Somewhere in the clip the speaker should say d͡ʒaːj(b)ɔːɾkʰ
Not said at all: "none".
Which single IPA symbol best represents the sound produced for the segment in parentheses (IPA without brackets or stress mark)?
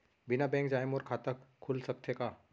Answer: m